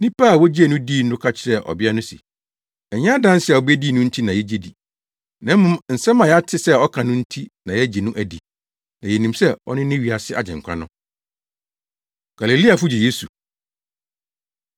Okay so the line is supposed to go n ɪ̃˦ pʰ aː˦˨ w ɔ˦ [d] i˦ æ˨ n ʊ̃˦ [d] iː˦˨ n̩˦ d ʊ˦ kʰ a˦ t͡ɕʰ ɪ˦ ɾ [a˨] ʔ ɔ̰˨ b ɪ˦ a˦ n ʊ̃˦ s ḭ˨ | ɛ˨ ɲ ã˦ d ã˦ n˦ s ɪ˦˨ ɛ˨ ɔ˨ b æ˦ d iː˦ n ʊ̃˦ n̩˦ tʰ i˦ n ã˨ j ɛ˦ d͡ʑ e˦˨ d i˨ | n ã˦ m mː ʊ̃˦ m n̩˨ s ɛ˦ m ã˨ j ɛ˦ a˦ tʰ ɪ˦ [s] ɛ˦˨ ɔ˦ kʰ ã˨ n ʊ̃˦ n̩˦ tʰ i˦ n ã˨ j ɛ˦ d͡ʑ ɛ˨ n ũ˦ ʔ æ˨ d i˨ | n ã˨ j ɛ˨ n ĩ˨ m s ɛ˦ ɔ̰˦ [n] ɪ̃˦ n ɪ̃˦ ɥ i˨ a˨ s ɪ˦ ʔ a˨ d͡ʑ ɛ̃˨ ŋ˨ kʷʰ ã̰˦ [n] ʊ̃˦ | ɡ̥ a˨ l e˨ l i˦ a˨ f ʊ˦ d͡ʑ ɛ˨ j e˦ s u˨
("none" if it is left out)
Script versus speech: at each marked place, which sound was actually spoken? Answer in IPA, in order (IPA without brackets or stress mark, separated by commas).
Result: d͡ʑ, d, ɛ˨, s, n, n